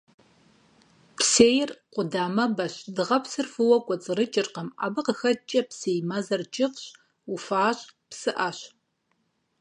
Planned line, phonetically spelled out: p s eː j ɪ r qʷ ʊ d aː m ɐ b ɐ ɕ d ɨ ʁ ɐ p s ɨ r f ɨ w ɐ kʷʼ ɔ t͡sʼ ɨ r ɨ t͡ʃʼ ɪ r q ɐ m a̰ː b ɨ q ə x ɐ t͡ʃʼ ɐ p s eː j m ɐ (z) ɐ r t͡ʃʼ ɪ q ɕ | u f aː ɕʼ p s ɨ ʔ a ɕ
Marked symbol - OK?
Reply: yes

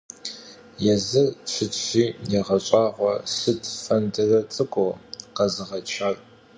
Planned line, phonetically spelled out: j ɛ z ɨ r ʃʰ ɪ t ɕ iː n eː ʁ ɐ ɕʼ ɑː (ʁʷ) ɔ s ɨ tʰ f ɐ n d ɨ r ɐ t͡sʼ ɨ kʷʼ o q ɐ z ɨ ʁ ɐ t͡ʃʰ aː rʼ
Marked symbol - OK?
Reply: yes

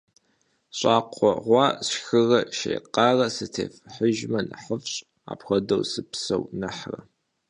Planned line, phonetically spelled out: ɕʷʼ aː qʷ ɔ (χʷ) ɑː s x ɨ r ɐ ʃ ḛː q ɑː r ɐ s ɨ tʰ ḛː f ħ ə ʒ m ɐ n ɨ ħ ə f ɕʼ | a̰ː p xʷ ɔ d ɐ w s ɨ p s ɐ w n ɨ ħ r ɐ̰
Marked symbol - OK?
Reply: no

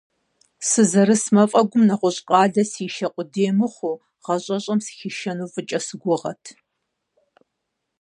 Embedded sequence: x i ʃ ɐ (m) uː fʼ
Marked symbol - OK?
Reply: no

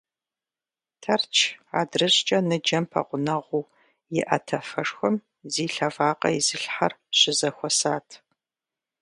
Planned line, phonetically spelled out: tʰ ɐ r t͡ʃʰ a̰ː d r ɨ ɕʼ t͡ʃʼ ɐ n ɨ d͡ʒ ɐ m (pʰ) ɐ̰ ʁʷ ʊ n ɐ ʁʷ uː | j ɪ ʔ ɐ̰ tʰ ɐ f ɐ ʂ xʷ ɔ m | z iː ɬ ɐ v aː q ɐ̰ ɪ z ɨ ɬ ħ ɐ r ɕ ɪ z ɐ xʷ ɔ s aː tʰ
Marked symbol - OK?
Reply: yes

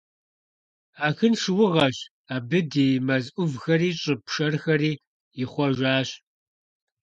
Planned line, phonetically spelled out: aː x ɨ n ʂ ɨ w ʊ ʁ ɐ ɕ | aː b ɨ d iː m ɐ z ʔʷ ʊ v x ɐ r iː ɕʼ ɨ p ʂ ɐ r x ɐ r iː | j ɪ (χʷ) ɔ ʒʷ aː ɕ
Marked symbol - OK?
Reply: yes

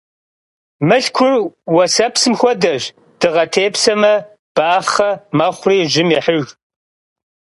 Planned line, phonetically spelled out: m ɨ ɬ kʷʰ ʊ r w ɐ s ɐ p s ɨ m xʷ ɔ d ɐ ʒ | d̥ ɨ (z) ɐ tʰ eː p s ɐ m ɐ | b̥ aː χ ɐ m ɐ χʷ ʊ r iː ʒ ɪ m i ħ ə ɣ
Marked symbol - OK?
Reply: no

